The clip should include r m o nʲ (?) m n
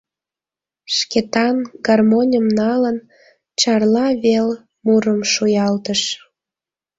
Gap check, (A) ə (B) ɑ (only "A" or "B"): A